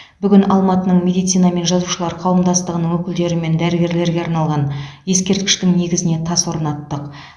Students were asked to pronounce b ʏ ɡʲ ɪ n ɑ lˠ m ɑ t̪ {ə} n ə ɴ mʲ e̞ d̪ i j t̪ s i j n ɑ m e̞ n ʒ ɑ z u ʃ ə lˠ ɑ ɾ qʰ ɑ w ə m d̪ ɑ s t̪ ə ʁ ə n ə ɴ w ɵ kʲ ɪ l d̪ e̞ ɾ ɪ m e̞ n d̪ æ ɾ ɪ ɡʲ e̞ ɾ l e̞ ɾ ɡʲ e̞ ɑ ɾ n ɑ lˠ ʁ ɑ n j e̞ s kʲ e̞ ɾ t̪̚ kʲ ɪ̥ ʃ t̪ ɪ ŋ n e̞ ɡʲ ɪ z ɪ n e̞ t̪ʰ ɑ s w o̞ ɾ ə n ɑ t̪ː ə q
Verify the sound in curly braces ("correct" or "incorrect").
correct